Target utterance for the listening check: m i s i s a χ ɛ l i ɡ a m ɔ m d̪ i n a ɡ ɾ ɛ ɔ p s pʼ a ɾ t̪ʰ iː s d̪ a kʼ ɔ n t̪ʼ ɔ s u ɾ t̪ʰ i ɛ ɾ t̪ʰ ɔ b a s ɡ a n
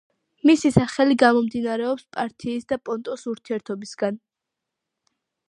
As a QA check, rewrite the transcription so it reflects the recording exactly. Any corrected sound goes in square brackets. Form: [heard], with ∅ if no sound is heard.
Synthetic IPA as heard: m i s i s a χ ɛ l i ɡ a m ɔ m d̪ i n a [∅] ɾ ɛ ɔ p s pʼ a ɾ t̪ʰ iː s d̪ a [pʼ] ɔ n t̪ʼ ɔ s u ɾ t̪ʰ i ɛ ɾ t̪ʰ ɔ b [i] s ɡ a n